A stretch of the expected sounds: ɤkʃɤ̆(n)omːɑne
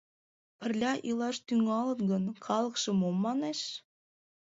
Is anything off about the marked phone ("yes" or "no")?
yes